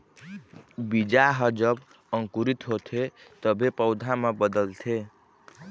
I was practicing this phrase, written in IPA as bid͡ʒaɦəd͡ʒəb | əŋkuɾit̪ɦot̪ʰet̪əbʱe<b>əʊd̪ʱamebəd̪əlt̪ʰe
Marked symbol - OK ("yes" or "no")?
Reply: no